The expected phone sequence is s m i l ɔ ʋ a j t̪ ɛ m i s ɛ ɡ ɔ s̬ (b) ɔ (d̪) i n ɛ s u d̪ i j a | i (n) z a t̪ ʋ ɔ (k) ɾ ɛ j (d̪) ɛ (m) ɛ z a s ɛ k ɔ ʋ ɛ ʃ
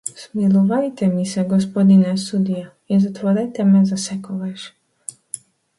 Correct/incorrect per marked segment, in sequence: incorrect, correct, correct, incorrect, incorrect, correct

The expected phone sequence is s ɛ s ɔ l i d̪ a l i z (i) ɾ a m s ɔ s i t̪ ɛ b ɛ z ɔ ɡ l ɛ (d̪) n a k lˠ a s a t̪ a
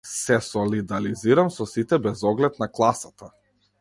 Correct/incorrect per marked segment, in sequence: correct, incorrect

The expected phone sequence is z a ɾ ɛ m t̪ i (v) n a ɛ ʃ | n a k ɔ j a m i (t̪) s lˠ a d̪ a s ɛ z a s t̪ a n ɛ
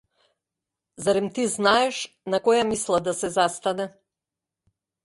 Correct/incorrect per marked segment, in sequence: incorrect, incorrect

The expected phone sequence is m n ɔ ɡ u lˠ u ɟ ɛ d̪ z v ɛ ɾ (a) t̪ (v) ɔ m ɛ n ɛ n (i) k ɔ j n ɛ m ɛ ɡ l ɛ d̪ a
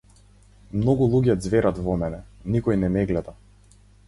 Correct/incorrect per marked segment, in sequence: correct, correct, correct

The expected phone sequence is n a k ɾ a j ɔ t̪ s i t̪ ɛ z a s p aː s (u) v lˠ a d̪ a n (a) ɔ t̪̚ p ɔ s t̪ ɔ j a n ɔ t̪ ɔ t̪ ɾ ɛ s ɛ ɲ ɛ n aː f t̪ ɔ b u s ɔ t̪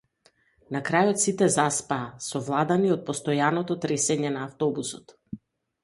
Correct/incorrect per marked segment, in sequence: incorrect, incorrect

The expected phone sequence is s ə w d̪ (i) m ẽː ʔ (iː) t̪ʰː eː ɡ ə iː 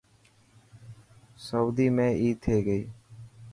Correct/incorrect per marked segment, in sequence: incorrect, correct

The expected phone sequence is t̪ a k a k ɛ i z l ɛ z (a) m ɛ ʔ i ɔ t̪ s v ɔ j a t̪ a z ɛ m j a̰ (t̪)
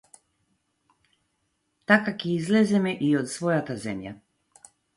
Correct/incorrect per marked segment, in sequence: incorrect, incorrect

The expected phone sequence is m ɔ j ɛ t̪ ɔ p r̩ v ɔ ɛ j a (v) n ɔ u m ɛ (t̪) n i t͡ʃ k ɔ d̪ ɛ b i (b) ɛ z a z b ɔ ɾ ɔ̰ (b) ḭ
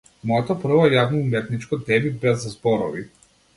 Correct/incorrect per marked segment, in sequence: correct, correct, correct, incorrect

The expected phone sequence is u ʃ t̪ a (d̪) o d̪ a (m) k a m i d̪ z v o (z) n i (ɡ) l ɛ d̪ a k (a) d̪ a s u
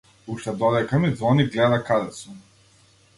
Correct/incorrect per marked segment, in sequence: correct, incorrect, incorrect, correct, correct

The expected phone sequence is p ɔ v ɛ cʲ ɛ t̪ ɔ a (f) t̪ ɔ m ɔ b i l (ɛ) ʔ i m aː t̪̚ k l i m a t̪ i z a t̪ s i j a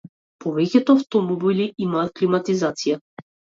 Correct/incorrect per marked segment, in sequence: correct, incorrect

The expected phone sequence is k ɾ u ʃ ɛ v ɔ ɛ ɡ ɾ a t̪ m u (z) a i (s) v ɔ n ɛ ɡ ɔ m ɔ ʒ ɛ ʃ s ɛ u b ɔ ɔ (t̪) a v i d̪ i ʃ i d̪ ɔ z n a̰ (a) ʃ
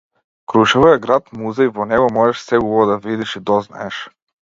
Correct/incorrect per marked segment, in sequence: correct, incorrect, incorrect, incorrect

